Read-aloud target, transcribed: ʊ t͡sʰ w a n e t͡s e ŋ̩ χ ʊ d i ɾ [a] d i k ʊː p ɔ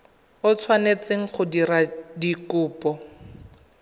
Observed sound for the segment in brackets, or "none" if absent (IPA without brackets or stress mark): a